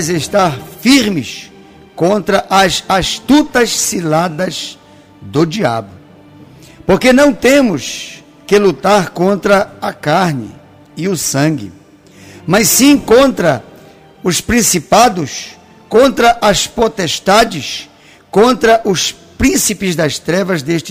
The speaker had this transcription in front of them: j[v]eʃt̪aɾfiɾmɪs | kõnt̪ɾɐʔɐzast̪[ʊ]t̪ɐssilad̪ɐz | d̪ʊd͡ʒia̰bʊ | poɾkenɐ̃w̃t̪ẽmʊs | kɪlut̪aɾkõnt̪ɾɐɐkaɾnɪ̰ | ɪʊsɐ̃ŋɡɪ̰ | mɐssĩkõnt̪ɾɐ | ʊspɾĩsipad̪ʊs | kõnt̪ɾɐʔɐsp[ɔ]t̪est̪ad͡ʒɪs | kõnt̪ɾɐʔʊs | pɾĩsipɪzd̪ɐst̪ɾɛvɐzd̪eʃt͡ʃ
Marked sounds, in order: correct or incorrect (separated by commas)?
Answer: incorrect, incorrect, incorrect